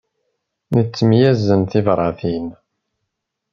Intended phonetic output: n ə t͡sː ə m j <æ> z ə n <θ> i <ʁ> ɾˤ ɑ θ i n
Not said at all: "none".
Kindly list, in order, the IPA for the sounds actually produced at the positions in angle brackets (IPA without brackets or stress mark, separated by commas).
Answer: æ, θ, v